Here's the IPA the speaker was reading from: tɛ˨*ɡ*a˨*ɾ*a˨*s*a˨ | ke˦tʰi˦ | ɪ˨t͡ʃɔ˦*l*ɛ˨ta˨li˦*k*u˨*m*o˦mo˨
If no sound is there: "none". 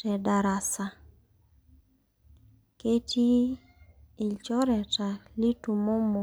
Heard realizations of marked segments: d, ɾ, s, ɾ, t, m

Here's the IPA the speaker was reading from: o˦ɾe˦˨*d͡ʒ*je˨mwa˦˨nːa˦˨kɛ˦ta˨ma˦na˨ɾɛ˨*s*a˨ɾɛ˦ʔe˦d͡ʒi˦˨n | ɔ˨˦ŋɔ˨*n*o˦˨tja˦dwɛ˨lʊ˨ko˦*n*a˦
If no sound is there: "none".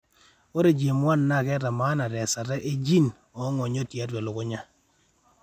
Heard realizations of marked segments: d͡ʒ, s, ɲ, ɲ

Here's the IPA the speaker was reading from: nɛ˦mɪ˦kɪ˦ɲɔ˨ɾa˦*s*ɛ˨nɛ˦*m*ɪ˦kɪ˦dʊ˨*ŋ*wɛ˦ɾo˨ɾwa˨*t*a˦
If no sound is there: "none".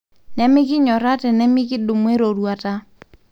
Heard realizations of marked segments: t, m, m, t

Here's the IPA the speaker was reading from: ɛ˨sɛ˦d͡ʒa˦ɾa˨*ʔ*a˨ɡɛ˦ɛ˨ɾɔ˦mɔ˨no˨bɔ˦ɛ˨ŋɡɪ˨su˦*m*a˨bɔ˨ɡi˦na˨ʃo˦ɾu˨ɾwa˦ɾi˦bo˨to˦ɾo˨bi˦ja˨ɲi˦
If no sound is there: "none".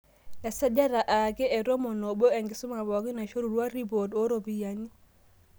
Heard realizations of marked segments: ʔ, m

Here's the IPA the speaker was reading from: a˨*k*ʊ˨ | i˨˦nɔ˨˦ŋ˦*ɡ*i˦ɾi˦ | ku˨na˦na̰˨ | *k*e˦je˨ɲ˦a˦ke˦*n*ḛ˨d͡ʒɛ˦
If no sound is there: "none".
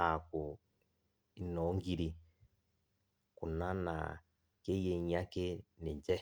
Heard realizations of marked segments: k, ɡ, k, n

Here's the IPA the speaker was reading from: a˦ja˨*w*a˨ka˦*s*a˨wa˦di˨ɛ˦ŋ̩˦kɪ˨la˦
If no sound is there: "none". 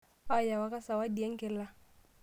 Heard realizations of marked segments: w, s

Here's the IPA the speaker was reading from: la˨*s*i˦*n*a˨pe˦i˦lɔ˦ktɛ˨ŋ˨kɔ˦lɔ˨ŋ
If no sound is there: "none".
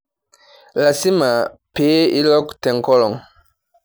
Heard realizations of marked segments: s, m

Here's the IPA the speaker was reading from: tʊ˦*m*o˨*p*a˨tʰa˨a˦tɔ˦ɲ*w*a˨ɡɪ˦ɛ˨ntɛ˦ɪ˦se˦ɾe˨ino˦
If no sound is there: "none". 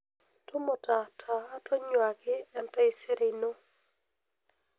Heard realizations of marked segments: m, t, w

